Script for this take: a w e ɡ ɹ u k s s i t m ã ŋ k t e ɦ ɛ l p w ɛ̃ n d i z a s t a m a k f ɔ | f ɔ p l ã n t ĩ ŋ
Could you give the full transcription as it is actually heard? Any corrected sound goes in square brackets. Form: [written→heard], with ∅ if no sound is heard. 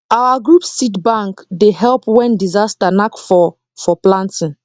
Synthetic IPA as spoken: a w [e→a] ɡ ɹ u [k→p] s s i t [m→b] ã ŋ k [t→d] e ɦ ɛ l p w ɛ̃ n d i z a s t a [m→n] a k f ɔ | f ɔ p l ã n t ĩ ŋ